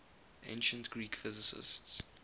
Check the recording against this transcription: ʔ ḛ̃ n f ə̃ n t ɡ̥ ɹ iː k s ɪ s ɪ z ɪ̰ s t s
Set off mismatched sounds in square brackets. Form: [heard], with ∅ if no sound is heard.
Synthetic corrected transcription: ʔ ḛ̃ n [ʃ] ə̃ n t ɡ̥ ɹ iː k [f] ɪ [z] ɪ [s] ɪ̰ s t s